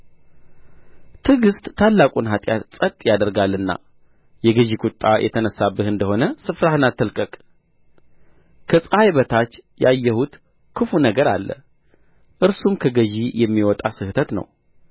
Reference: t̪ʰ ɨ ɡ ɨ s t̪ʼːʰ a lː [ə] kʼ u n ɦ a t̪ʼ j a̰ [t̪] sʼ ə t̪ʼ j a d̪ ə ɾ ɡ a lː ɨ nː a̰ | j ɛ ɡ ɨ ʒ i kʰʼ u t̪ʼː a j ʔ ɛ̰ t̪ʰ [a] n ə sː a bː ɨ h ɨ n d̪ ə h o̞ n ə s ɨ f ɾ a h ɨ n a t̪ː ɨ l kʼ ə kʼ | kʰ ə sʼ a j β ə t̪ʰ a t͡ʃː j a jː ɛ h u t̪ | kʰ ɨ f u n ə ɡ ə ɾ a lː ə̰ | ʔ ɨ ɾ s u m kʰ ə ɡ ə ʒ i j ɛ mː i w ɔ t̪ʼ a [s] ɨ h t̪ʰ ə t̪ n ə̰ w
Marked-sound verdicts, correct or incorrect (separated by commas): incorrect, correct, incorrect, correct